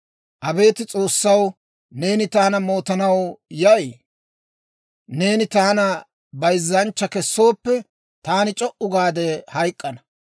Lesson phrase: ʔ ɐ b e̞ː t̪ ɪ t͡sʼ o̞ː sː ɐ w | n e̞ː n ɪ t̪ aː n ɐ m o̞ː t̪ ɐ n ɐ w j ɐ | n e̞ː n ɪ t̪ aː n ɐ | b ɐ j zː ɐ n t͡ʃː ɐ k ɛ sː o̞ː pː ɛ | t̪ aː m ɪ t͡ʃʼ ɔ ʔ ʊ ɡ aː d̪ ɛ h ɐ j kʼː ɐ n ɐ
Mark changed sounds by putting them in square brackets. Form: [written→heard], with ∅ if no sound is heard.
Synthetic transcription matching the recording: ʔ ɐ b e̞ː t̪ ɪ t͡sʼ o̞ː sː ɐ w | n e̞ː n ɪ t̪ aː n ɐ m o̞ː t̪ ɐ n ɐ w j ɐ | n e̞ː n ɪ t̪ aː n ɐ | b ɐ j zː ɐ n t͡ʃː ɐ k ɛ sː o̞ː pː ɛ | t̪ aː [m→n] ɪ t͡ʃʼ ɔ ʔ ʊ ɡ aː d̪ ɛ h ɐ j kʼː ɐ n ɐ